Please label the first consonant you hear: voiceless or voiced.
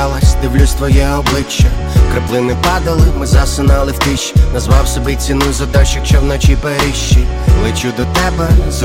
voiced